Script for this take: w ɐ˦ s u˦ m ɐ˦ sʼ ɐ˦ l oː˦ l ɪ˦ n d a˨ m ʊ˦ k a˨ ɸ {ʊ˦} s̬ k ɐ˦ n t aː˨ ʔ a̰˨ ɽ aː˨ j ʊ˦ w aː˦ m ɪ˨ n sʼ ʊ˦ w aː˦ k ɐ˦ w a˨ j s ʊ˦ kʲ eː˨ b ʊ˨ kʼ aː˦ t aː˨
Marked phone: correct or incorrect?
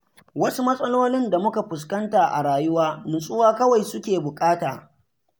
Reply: incorrect